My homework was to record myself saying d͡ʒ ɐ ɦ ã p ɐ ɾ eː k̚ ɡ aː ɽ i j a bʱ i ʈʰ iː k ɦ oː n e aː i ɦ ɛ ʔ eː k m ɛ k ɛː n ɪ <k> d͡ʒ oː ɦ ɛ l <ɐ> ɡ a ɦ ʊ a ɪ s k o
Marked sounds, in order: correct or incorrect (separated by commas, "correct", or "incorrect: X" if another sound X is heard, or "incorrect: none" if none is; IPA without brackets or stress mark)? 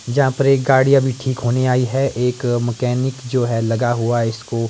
correct, correct